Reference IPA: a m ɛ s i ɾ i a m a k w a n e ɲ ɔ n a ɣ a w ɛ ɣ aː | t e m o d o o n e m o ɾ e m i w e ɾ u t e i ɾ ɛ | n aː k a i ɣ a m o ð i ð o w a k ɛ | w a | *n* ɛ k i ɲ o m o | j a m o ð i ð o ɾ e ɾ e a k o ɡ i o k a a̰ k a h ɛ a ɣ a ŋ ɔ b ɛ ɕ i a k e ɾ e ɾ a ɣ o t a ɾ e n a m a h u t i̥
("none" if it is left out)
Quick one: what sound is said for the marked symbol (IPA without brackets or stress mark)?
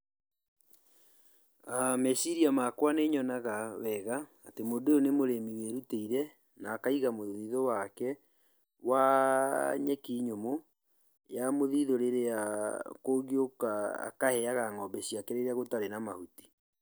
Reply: ɲ